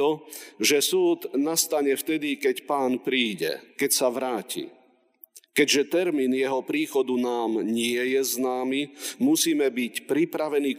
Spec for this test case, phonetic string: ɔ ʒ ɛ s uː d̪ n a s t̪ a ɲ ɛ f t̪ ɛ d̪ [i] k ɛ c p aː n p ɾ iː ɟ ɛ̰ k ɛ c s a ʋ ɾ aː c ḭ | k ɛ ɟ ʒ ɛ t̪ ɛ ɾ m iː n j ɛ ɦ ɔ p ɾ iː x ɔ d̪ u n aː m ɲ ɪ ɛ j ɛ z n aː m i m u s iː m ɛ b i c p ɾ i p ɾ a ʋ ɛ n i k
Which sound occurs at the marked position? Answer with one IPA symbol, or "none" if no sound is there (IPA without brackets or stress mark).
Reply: i